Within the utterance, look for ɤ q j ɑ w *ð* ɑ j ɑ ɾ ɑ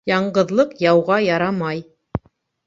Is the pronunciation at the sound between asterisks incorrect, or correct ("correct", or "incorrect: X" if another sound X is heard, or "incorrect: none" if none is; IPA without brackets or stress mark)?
incorrect: ʁ